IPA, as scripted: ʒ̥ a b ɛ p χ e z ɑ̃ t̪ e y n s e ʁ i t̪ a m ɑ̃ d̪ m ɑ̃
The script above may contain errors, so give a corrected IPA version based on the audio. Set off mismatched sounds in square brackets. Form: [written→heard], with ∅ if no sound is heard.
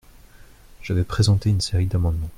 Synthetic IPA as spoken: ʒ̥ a [b→v] ɛ p χ e z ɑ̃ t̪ e y n s e ʁ i [t̪→d̪] a m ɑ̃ d̪ m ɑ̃